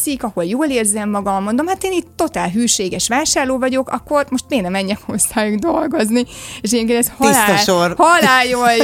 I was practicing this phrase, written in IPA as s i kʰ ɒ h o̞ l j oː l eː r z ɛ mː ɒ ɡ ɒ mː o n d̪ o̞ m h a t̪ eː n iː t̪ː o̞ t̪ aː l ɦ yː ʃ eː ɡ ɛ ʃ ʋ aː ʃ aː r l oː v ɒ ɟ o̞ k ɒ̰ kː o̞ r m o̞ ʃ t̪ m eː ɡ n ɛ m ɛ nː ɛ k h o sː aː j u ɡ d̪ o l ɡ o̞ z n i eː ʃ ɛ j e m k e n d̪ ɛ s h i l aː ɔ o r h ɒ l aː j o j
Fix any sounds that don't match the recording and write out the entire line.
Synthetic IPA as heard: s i k ɒ h o̞ l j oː l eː r z ɛ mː ɒ ɡ ɒ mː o n d̪ o̞ m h a t̪ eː n iː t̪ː o̞ t̪ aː l ɦ yː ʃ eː ɡ ɛ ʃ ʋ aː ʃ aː r l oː v ɒ ɟ o̞ k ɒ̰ kː o̞ r m o̞ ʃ t̪ m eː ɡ n ɛ m ɛ ɲː ɛ k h o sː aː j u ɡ d̪ o l ɡ o̞ z n i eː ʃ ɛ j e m k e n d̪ ɛ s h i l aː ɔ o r h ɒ l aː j o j